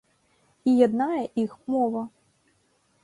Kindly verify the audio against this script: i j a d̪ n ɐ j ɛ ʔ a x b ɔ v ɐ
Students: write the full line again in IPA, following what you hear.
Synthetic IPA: i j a d̪ n a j ɛ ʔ i x m ɔ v ɐ